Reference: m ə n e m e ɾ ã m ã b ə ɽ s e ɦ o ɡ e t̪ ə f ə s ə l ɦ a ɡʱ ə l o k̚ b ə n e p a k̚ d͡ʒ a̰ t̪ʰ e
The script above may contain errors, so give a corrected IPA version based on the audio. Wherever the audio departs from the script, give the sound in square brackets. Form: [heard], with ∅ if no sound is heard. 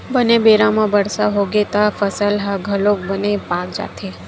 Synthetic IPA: [b] ə n e [b] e ɾ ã m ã b ə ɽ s [a] ɦ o ɡ e t̪ [a] f ə s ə l ɦ a ɡʱ ə l o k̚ b ə n e p a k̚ d͡ʒ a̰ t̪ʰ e

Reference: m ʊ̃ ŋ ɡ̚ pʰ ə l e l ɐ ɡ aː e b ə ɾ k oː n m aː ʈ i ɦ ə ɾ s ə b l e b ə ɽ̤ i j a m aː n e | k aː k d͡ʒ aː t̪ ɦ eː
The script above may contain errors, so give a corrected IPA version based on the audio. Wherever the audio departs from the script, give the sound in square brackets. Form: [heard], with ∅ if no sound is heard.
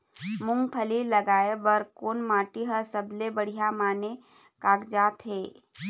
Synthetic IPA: m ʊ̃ ŋ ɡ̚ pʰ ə l [i] l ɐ ɡ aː e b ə ɾ k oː n m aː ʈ i ɦ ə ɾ s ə b l e b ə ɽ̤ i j a m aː n e | k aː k d͡ʒ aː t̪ ɦ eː

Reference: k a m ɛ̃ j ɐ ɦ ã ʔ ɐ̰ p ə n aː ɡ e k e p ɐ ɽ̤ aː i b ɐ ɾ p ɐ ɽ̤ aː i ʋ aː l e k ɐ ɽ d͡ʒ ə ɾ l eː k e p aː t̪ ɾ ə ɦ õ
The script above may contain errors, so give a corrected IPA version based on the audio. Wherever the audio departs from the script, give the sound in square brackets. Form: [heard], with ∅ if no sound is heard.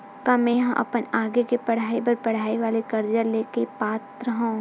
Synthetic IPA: k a m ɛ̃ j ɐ ɦ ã ʔ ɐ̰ p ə n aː ɡ e k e p ɐ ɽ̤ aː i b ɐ ɾ p ɐ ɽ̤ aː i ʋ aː l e k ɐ [ɾ] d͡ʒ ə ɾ l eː k e p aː t̪ ɾ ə ɦ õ

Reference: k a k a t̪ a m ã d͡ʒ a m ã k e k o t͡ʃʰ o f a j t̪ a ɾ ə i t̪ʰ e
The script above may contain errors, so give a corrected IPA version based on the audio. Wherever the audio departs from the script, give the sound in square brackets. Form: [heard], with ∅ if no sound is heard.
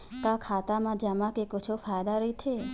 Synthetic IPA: k a [kʰ] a t̪ a m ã d͡ʒ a m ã k e k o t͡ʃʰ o f a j [d̪] a ɾ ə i t̪ʰ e

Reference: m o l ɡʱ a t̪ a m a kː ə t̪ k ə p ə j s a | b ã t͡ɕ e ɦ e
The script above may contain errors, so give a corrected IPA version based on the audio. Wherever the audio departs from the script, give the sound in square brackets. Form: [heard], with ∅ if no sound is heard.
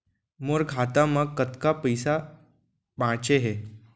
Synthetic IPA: m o [ɾ] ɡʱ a t̪ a m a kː ə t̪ k [a] p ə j s a | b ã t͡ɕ e ɦ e

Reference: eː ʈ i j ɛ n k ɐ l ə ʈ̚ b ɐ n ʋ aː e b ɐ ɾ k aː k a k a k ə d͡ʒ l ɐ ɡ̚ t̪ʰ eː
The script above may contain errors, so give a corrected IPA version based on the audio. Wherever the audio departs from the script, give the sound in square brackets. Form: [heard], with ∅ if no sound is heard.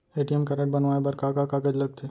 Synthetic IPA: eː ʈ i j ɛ [m] k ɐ [ɾ] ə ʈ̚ b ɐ n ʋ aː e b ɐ ɾ k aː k a k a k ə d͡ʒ l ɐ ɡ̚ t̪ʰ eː

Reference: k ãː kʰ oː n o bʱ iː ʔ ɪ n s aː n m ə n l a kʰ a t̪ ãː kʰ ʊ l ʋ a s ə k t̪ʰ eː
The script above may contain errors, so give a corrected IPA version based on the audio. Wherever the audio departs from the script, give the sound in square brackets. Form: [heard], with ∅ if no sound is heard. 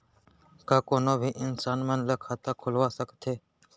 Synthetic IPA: k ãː [k] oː n o bʱ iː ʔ ɪ n s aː n m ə n l [ə] kʰ a t̪ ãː kʰ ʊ l ʋ a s ə k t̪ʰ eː

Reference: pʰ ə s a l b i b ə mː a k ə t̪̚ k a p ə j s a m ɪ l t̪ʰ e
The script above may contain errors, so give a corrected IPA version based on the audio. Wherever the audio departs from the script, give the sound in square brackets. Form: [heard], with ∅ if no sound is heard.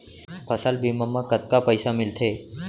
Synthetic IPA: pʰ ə s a l b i [m] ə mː a k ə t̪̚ k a p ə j s a m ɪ l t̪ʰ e

